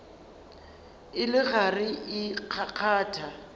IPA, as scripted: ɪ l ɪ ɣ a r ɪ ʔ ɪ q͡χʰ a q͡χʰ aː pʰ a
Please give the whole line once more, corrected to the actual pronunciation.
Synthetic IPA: ɪ l ɪ ɣ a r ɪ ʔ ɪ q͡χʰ a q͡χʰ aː tʰ a